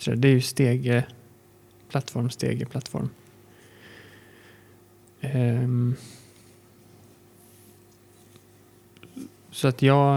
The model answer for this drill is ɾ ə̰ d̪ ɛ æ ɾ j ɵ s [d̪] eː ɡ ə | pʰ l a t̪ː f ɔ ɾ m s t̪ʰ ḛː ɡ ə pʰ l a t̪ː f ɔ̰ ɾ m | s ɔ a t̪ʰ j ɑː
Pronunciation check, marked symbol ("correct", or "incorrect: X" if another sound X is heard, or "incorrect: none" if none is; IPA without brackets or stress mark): incorrect: t̪